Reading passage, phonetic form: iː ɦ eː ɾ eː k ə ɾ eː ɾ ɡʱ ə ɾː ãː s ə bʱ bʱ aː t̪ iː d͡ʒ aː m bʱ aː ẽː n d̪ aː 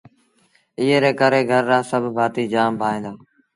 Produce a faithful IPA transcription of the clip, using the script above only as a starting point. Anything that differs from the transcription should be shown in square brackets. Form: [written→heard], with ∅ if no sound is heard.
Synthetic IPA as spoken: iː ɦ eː ɾ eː k ə ɾ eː [ɾ→∅] ɡʱ ə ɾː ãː s ə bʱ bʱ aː t̪ iː d͡ʒ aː m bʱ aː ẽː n d̪ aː